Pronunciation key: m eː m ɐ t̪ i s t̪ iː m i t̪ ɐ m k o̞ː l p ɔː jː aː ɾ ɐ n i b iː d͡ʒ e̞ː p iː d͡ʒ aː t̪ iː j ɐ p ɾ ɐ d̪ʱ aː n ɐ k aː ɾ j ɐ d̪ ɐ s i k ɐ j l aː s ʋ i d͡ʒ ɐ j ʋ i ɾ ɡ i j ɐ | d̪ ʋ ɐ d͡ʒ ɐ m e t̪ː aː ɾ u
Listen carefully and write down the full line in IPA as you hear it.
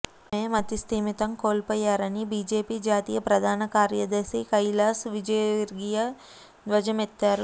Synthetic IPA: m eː m ɐ t̪ i s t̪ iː m i t̪ ɐ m k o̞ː l p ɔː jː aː ɾ ɐ n i b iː d͡ʒ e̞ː p iː d͡ʒ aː t̪ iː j ɐ p ɾ ɐ d̪ʱ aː n ɐ k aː ɾ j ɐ d̪ ɐ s i k ɐ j l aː s ʋ i d͡ʒ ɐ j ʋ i ɾ ɡ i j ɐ | d̪ ʋ ɐ d͡ʒ ɐ m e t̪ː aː ɾ u